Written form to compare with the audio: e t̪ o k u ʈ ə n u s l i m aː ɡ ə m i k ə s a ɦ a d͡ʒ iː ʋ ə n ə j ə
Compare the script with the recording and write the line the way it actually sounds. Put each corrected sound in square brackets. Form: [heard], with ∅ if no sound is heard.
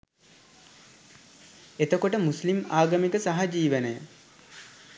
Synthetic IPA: e t̪ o k [o] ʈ ə [m] u s l i m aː ɡ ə m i k ə s a ɦ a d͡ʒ iː ʋ ə n ə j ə